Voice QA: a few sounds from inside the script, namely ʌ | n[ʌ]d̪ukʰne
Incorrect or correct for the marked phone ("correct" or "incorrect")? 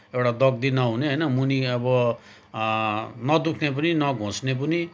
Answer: correct